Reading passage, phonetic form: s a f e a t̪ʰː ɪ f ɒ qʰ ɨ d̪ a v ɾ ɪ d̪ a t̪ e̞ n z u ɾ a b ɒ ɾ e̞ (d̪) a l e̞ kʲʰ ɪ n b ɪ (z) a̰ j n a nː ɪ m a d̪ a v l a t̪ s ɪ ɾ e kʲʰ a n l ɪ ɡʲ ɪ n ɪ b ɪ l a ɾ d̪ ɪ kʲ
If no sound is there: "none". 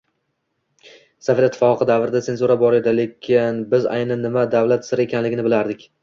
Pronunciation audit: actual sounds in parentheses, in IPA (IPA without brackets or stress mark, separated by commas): d̪, z